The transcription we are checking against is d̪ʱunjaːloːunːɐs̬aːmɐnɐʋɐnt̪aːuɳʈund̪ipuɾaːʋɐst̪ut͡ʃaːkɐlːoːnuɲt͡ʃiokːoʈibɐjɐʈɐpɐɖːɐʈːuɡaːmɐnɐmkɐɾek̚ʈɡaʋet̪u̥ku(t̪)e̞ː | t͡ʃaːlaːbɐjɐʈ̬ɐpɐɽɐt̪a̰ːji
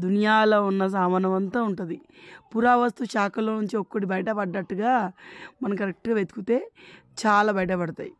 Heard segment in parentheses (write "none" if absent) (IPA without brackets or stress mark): t̪